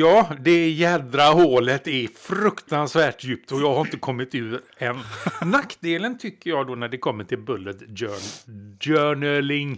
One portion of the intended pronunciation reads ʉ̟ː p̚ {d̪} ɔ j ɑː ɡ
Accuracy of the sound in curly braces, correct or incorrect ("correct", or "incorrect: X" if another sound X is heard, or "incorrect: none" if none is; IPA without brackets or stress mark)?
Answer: incorrect: t̪